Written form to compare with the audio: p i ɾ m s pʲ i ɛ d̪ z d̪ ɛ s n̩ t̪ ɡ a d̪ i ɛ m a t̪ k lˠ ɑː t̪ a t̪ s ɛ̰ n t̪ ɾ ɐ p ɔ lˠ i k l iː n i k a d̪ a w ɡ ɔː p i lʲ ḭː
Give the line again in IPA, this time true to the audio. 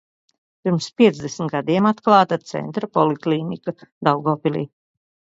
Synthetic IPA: p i ɾ m s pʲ i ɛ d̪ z d̪ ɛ s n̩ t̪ ɡ a d̪ i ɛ m a t̪ k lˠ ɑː t̪ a t̪ s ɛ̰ n t̪ ɾ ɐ p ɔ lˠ i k l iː n i k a d̪ a w ɡ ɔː p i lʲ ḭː